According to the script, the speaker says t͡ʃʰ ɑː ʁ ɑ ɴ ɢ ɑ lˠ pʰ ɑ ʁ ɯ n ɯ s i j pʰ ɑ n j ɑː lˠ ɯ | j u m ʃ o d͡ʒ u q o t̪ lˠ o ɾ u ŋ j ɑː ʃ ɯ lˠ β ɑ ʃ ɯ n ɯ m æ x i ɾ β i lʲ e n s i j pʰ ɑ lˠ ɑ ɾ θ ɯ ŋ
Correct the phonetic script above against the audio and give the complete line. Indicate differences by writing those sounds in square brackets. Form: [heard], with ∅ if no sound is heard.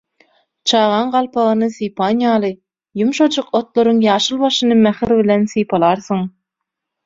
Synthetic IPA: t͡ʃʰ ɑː ʁ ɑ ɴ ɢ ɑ lˠ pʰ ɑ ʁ ɯ n ɯ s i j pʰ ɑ n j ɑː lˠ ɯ | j u m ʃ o d͡ʒ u q o t̪ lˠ o ɾ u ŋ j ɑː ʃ ɯ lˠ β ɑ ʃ ɯ n ɯ m æ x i ɾ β i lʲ e n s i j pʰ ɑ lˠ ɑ ɾ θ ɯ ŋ